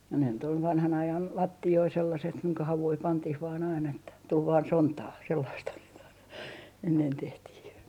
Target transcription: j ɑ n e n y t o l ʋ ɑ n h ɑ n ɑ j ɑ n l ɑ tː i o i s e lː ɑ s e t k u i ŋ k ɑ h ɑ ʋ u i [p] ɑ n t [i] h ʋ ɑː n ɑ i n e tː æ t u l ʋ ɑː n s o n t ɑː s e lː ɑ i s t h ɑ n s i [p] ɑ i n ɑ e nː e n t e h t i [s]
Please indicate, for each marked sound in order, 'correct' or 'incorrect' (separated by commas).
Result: correct, correct, incorrect, incorrect